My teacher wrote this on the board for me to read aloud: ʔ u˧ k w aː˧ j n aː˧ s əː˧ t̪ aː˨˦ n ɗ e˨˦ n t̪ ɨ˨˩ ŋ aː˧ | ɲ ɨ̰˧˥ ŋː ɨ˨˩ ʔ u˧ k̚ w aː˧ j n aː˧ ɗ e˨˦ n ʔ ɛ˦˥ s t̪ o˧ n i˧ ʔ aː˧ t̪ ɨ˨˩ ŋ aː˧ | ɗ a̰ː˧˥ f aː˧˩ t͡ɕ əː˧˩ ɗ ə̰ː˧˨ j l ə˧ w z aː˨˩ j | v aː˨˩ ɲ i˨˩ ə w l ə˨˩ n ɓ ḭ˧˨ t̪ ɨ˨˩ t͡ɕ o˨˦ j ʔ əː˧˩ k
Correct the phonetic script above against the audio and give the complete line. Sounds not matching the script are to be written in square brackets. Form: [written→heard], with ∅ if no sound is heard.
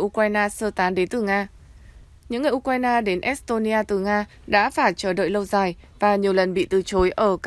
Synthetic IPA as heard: ʔ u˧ k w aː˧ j n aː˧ s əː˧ t̪ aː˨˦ n ɗ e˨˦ n t̪ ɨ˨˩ ŋ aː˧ | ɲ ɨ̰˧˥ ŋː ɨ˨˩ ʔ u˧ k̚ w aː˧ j n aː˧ ɗ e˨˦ n ʔ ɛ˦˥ s t̪ o˧ n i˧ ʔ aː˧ t̪ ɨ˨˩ ŋ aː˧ | ɗ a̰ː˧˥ f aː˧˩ t͡ɕ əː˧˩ ɗ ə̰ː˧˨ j l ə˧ w z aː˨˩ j | v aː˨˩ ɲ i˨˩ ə w l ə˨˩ n ɓ ḭ˧˨ t̪ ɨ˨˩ t͡ɕ o˨˦ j ʔ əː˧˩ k